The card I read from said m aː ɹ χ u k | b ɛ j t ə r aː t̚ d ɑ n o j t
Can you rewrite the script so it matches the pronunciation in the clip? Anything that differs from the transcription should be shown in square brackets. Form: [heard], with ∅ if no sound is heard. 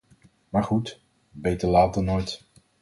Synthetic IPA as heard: m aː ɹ χ u [t] | b [e] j t ə [l] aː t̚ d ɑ n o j t